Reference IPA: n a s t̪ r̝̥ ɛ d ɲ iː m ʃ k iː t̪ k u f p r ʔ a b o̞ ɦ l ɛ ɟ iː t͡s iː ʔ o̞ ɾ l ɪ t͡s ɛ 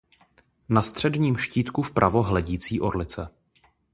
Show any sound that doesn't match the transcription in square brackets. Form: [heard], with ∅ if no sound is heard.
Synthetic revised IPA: n a s t̪ r̝̥ ɛ d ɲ iː m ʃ [c] iː t̪ k u f p [ɾ] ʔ a [v] o̞ ɦ l ɛ ɟ iː t͡s iː ʔ o̞ ɾ l ɪ t͡s ɛ

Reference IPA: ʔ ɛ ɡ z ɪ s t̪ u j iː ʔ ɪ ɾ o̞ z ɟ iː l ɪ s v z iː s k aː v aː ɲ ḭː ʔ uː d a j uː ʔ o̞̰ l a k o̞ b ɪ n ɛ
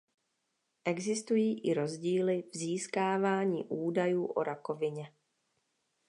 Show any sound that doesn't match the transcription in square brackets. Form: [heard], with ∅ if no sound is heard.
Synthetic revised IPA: ʔ ɛ ɡ z ɪ s t̪ u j iː ʔ ɪ ɾ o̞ z ɟ iː l ɪ [∅] v z iː s k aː v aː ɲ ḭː ʔ uː d a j uː ʔ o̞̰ [ɾ] a k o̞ [v] ɪ [ɲ] ɛ

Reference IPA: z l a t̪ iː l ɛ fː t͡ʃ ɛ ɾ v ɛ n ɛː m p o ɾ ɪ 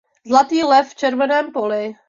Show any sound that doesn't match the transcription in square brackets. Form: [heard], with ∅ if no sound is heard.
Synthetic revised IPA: z l a t̪ iː l ɛ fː t͡ʃ ɛ ɾ v ɛ n ɛː m p o [l] ɪ

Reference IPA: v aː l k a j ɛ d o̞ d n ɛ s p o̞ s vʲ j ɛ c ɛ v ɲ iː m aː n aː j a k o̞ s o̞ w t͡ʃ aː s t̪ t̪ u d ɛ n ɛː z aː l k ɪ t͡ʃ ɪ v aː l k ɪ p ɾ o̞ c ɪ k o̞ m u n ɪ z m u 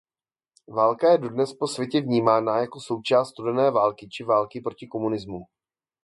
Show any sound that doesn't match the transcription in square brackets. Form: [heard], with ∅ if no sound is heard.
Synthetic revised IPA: v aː l k a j ɛ d o̞ d n ɛ s p o̞ s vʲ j ɛ c ɛ v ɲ iː m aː n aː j a k o̞ s o̞ w t͡ʃ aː s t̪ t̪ u d ɛ n ɛː [v] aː l k ɪ t͡ʃ ɪ v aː l k ɪ p ɾ o̞ c ɪ k o̞ m u n ɪ z m u

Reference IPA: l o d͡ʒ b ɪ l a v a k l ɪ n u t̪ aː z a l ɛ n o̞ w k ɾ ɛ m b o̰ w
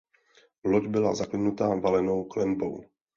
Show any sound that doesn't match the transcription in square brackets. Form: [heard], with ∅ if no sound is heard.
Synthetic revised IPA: l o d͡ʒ b ɪ l a [z] a k l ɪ n u t̪ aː [v] a l ɛ n o̞ w k [l] ɛ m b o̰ w

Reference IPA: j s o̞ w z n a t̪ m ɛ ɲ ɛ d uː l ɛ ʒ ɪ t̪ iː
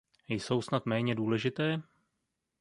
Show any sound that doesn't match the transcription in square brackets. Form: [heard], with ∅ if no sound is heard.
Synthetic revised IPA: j s o̞ w [s] n a t̪ m [ɛː] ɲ ɛ d uː l ɛ ʒ ɪ t̪ [ɛː]

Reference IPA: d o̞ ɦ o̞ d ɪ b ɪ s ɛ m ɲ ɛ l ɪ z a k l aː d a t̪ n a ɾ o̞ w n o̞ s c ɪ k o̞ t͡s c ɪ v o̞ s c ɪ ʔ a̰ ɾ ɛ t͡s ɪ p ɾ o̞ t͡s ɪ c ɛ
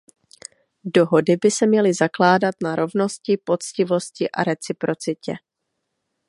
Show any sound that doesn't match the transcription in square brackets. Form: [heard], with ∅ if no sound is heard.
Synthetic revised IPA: d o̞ ɦ o̞ d ɪ b ɪ s ɛ m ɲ ɛ l ɪ z a k l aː d a t̪ n a ɾ o̞ [v] n o̞ s c ɪ [p] o̞ t͡s c ɪ v o̞ s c ɪ ʔ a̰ ɾ ɛ t͡s ɪ p ɾ o̞ t͡s ɪ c ɛ

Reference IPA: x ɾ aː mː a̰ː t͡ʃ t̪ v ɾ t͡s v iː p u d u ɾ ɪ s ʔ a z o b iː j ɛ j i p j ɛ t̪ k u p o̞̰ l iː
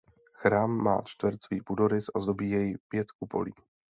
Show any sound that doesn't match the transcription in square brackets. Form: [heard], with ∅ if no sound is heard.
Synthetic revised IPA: x ɾ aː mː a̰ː t͡ʃ t̪ v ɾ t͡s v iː p u d [o] ɾ ɪ s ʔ a z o b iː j ɛ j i p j ɛ t̪ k u p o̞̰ l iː

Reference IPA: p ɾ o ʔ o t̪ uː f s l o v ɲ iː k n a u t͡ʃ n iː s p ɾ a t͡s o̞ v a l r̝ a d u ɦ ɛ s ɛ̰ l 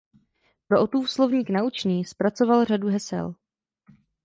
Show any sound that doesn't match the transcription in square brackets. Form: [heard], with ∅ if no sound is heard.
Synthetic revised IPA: p ɾ o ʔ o t̪ uː f s l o v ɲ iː k n a u t͡ʃ n iː s p ɾ a t͡s o̞ v a l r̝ a d u ɦ ɛ s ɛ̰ l

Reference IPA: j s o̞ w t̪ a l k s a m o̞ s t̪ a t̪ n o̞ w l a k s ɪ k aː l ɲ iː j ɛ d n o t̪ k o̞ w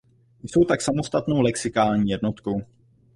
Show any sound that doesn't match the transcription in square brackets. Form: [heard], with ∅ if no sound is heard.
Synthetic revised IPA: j s o̞ w t̪ a [∅] k s a m o̞ s t̪ a t̪ n o̞ w l [ɛ] k s ɪ k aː l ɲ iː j ɛ d n o t̪ k o̞ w

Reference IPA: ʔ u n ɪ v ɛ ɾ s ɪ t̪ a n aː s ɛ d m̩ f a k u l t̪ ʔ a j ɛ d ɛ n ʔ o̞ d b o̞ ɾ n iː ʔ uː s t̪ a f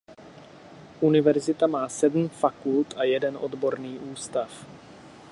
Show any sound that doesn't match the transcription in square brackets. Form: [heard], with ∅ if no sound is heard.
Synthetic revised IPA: ʔ u n ɪ v ɛ ɾ [z] ɪ t̪ a [m] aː s ɛ d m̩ f a k u l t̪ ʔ a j ɛ d ɛ n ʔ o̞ d b o̞ ɾ n iː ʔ uː s t̪ a f

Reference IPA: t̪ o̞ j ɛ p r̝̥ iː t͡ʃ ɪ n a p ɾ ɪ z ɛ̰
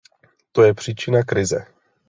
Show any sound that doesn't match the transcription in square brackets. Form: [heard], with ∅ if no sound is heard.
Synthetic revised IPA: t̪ o̞ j ɛ p r̝̥ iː t͡ʃ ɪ n a [k] ɾ ɪ z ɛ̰

